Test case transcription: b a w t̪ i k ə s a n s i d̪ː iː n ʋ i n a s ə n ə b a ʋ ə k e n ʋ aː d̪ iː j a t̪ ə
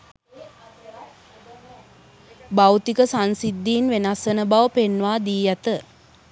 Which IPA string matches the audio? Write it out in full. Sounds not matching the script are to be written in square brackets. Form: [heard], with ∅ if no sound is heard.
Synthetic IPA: b a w t̪ i k ə s a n s i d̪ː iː n ʋ [e] n a s ə n ə b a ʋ ə [p] e n ʋ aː d̪ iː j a t̪ ə

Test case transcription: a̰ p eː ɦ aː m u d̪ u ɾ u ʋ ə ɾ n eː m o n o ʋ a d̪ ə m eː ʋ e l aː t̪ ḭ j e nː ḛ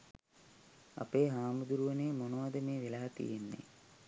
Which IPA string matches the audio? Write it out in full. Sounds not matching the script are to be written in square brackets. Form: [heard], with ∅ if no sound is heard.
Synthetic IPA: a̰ p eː ɦ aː m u d̪ u ɾ u ʋ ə [∅] n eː m o n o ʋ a d̪ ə m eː ʋ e l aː t̪ ḭ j e nː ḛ

